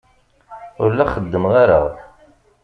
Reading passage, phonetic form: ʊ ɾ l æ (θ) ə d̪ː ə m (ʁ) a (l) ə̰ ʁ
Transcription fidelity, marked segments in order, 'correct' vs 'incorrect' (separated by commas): incorrect, correct, incorrect